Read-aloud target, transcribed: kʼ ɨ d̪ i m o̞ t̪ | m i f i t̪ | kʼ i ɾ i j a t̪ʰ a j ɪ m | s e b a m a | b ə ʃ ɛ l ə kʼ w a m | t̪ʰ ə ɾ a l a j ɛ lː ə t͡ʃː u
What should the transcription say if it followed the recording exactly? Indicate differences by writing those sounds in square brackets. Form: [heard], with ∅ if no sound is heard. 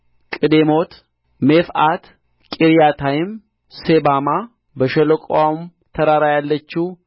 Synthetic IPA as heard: kʼ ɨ d̪ [e] m o̞ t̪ | m [e] f [a] t̪ | kʼ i ɾ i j a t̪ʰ a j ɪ m | s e b a m a | b ə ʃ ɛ l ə kʼ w a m | t̪ʰ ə ɾ a [ɾ] a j [a] lː ə t͡ʃː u